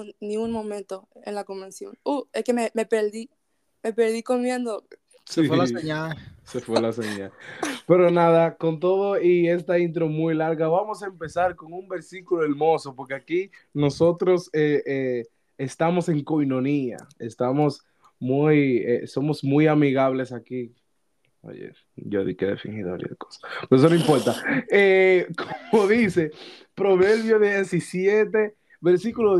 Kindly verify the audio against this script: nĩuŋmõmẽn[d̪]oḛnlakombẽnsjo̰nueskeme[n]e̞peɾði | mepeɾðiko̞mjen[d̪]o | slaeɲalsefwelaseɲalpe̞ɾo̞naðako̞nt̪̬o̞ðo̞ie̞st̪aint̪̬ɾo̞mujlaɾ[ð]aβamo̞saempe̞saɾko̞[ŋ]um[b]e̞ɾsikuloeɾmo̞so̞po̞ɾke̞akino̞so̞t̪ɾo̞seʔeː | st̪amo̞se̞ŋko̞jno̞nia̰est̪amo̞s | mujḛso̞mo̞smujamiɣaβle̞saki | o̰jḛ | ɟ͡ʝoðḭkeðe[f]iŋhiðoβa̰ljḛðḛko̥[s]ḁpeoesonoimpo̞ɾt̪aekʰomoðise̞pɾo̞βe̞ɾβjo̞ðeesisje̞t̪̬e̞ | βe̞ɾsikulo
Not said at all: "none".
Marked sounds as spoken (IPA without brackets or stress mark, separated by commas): t̪, m, d̪, ɣ, ŋ, b, f, s